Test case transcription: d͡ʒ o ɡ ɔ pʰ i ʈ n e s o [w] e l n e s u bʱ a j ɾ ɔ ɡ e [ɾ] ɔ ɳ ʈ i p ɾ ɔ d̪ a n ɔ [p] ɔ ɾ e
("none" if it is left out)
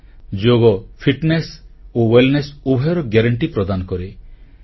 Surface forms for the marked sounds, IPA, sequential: w, ɾ, k

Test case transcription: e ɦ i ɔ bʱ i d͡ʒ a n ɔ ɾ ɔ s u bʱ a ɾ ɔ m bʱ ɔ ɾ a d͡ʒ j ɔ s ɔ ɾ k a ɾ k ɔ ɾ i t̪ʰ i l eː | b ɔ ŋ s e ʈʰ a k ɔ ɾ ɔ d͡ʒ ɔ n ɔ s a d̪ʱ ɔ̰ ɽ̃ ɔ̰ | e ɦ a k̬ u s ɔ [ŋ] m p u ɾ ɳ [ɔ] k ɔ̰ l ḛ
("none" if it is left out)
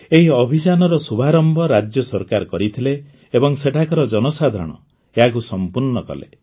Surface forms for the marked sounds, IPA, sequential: none, ɔ

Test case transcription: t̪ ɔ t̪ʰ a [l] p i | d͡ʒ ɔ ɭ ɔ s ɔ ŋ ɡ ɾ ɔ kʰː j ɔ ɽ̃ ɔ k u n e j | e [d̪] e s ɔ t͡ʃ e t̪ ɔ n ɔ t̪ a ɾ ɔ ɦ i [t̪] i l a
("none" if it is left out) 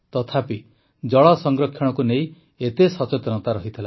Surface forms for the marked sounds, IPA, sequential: none, t̪, t̪ʰ

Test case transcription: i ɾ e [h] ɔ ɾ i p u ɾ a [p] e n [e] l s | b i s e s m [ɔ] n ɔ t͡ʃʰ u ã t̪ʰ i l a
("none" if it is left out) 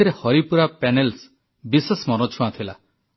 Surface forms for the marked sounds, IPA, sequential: h, p, e, ɔ

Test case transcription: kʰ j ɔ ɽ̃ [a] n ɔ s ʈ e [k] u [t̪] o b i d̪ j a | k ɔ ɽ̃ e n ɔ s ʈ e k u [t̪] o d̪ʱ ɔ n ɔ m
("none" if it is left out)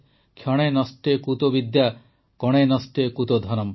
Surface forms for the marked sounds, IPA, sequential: e, k, t̪, t̪

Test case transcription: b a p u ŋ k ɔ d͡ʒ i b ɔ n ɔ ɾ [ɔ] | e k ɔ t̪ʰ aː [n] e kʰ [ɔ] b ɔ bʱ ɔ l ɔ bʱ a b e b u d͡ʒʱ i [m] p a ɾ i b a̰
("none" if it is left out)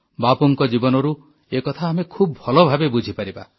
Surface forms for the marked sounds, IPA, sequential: u, m, u, none

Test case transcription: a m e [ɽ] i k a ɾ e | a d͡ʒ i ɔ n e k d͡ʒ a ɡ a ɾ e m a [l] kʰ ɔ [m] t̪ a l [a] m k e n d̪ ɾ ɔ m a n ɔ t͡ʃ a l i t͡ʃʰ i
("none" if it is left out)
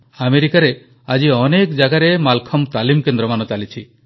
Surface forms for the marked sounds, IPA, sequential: ɾ, l, m, i

